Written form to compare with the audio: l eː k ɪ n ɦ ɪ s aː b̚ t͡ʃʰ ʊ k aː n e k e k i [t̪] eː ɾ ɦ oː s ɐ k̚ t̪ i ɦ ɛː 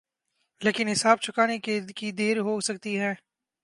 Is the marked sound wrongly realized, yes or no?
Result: yes